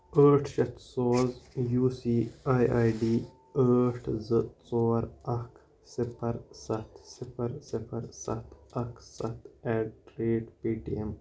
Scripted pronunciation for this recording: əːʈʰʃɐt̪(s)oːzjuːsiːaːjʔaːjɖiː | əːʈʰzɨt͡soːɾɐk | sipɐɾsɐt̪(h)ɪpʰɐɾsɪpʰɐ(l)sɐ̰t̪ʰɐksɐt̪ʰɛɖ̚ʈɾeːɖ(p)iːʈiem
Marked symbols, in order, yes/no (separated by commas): yes, no, no, yes